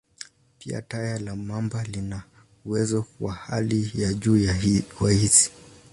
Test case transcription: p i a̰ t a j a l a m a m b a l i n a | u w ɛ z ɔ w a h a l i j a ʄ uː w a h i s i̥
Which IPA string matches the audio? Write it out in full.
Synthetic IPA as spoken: p i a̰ t a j a l a m a m b a l i n a | u w ɛ z ɔ w a h a l i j a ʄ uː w a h i s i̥